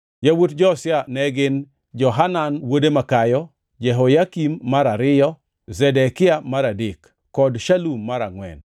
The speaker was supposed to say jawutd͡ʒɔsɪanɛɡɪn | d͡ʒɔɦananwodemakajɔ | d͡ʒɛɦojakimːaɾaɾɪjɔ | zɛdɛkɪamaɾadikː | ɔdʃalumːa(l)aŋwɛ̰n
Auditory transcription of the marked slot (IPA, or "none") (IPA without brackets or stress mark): ɾ